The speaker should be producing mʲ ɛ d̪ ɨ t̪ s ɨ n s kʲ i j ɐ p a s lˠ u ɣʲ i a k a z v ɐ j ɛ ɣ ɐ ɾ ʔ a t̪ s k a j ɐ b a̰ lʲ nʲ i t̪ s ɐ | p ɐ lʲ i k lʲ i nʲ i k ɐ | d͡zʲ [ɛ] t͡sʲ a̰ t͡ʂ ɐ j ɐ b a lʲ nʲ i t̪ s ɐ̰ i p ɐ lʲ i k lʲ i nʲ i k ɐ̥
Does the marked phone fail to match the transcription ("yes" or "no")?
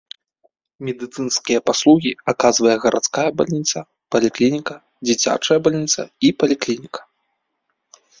yes